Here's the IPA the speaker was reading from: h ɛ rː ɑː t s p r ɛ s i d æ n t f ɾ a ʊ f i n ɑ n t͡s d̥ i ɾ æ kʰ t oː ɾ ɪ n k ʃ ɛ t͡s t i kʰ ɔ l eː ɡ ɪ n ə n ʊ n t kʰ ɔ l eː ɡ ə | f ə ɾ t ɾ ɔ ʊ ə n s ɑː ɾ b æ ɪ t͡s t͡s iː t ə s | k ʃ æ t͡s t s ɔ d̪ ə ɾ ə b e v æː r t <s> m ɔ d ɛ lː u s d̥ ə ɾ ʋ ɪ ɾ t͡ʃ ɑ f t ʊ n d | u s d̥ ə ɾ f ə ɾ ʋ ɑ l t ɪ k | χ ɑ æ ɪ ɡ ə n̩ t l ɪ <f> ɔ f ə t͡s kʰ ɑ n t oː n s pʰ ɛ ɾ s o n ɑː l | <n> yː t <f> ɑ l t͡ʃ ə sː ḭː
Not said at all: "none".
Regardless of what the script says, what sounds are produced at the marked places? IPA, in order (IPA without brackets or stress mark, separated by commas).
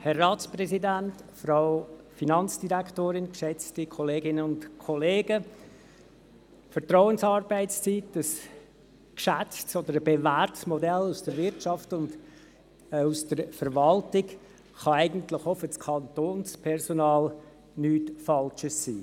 s, χ, n, f